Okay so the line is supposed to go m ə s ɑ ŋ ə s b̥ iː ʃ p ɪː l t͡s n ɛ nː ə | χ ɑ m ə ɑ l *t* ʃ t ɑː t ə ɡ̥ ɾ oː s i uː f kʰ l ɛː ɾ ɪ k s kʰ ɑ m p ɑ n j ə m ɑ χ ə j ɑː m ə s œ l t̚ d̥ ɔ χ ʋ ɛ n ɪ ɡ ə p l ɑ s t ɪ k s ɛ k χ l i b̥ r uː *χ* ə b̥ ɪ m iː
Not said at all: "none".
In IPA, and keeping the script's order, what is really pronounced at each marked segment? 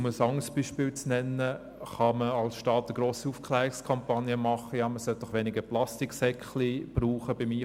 s, χ

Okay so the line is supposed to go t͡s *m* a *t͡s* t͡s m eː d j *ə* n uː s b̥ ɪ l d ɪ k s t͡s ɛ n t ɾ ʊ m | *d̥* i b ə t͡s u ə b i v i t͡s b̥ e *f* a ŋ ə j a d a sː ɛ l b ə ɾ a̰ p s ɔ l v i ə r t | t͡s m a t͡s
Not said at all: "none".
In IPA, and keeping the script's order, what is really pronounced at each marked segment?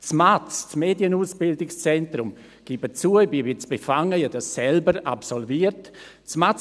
m, t͡s, ə, ɡ̥, f

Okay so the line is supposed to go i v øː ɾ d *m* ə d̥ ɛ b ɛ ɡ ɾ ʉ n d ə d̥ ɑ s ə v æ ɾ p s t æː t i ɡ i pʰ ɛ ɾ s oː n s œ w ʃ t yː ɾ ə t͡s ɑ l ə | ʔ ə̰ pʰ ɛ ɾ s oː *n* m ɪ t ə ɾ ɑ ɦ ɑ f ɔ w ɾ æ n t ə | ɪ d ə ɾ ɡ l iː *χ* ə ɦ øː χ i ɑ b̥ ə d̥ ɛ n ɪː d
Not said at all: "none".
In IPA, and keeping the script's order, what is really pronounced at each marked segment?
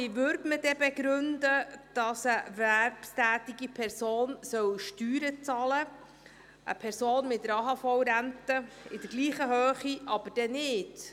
m, n, χ

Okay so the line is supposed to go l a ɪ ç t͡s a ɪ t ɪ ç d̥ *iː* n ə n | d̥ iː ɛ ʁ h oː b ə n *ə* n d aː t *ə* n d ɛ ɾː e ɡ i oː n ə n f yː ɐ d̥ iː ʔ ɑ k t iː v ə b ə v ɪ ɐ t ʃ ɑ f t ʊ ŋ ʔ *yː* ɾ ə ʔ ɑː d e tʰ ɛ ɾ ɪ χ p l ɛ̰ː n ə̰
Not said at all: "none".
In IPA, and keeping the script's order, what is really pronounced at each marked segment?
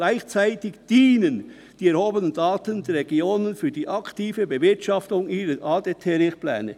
iː, ə, ə, iː

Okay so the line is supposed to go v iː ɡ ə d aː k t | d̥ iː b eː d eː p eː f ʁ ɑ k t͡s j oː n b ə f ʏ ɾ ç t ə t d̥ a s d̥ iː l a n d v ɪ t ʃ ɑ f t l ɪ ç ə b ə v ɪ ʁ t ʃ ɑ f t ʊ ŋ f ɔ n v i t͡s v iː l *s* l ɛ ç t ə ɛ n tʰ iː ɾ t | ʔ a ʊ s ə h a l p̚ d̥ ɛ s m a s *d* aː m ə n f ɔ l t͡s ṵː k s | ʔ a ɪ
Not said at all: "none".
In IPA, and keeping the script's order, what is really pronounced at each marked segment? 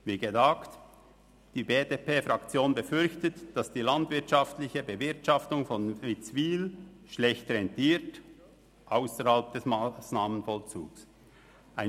ʃ, n

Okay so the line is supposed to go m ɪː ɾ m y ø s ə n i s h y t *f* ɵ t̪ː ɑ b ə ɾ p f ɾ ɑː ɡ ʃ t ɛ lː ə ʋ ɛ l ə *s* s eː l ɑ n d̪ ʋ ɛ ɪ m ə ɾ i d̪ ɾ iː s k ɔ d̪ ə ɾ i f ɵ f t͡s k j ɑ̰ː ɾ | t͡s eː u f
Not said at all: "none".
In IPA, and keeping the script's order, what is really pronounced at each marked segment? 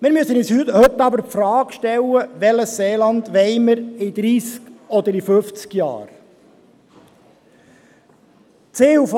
h, s

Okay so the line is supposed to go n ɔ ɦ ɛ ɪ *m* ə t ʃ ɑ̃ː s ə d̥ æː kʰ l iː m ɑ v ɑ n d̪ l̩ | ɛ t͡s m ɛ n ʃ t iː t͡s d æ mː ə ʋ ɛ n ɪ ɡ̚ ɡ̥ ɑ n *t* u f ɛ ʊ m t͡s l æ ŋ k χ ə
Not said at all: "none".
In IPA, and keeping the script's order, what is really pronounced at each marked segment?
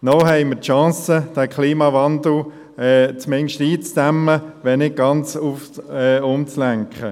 m, t͡s

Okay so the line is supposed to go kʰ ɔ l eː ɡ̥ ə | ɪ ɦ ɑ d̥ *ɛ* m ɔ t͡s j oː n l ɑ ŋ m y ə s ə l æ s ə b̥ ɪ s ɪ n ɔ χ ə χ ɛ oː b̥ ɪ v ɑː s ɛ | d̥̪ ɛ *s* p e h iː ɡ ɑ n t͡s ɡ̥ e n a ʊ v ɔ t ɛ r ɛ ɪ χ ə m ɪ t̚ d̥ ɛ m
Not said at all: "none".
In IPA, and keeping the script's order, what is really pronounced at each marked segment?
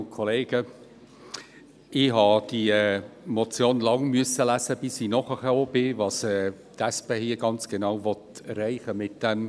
i, s

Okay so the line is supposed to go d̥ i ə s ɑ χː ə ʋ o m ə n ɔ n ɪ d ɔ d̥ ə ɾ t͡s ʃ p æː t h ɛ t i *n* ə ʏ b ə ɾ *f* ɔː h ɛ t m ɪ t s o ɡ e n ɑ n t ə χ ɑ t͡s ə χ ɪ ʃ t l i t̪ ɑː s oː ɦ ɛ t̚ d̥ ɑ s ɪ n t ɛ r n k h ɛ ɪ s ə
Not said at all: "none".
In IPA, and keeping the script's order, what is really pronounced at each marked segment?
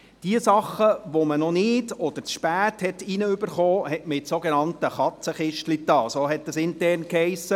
n, χ

